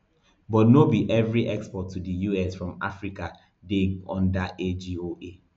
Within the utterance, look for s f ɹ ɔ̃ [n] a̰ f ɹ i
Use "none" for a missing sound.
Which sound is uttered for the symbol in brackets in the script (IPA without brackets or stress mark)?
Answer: m